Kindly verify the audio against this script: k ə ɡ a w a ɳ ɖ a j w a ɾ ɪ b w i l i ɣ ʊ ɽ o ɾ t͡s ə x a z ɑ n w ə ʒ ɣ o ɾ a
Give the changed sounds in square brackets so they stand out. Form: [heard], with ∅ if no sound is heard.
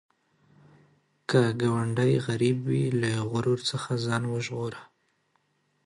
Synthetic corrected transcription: k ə ɡ a w a ɳ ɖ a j [ɣ] a ɾ [i] b w i l [a] ɣ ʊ [ɾ] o ɾ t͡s ə x a z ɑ n w ə ʒ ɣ o ɾ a